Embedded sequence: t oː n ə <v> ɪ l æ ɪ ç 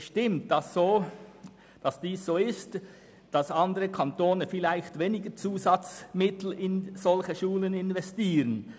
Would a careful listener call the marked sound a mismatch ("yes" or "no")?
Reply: yes